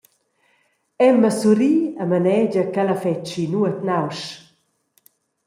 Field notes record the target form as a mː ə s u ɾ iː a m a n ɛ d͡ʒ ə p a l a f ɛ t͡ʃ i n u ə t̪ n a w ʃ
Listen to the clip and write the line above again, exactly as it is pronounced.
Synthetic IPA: ɛ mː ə s u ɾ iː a m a n ɛ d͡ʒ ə k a l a f ɛ t͡ʃ i n u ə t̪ n a w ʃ